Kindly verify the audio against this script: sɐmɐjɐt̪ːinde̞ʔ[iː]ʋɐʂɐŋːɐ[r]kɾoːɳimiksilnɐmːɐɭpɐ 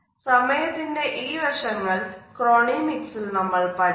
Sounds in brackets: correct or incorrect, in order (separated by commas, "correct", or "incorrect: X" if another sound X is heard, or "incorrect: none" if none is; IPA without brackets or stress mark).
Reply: correct, incorrect: ɭ